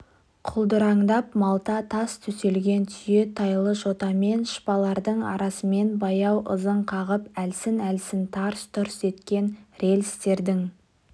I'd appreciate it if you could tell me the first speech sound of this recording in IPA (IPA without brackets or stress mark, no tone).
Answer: qʰ